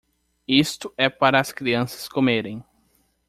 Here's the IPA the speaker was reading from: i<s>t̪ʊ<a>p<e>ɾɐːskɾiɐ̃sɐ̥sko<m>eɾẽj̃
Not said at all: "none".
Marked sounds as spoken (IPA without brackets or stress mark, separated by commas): s, ɛ, a, m